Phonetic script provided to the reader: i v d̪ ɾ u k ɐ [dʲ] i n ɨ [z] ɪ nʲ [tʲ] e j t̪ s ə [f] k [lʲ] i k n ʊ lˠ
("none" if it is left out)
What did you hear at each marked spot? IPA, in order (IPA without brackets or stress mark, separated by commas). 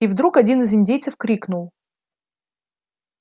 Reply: dʲ, z, dʲ, f, ɾʲ